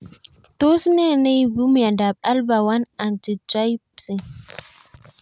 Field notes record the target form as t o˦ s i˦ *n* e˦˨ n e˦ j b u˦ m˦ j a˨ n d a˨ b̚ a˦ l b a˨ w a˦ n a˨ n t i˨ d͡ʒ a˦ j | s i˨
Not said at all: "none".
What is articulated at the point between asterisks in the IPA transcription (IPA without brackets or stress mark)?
n